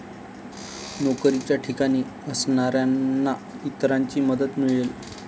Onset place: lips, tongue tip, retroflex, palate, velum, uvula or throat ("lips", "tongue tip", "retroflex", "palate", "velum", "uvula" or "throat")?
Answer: tongue tip